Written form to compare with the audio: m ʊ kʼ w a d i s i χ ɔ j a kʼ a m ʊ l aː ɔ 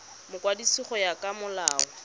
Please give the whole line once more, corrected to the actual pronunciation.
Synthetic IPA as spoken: m ʊ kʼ w a d i s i χ ɔ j a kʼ a m ʊ l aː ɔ